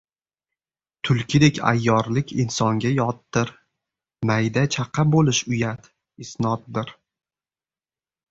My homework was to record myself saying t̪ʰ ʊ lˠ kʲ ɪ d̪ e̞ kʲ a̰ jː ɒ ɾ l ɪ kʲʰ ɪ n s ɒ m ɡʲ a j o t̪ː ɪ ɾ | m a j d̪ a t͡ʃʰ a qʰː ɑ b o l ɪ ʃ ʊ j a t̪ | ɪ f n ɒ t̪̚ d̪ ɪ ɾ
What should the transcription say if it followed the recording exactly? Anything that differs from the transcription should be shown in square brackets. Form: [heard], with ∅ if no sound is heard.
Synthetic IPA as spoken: t̪ʰ ʊ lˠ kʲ ɪ d̪ e̞ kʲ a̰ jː ɒ ɾ l ɪ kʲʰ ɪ n s ɒ [ŋ] ɡʲ a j [ɒ] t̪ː ɪ ɾ | m a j d̪ a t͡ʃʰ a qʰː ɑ b o l ɪ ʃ ʊ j a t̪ | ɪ [s] n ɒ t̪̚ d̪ ɪ ɾ